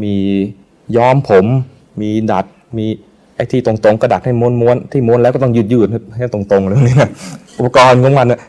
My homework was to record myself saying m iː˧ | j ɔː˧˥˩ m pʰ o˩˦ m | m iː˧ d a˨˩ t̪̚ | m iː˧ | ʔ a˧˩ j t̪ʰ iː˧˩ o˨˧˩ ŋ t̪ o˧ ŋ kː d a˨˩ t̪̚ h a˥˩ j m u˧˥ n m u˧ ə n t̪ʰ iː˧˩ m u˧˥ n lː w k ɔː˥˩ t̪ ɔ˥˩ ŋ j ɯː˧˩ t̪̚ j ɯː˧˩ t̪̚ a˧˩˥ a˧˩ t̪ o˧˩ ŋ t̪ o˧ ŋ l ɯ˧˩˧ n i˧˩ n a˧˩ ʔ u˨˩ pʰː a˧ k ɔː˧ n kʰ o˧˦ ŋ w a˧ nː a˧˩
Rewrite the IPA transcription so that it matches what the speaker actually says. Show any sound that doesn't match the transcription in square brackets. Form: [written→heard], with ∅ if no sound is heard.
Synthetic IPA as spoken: m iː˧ | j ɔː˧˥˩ m pʰ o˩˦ m | m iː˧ d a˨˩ t̪̚ | m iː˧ | ʔ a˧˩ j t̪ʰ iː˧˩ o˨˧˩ ŋ t̪ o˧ ŋ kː d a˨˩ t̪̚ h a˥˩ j m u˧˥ n m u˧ ə n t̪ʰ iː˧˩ m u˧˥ n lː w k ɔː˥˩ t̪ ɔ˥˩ ŋ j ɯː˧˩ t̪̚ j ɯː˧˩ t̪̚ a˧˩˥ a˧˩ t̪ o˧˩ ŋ t̪ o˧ ŋ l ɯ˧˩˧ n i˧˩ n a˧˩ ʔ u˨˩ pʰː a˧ k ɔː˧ n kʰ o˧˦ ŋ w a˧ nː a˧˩